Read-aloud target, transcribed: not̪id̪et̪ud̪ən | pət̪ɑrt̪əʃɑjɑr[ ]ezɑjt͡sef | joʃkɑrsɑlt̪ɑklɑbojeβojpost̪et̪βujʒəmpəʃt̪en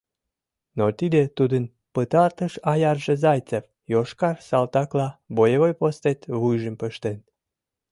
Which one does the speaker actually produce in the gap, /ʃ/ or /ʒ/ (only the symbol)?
ʒ